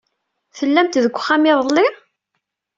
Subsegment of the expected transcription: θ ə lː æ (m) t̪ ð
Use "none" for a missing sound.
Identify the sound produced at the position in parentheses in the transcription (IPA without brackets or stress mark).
m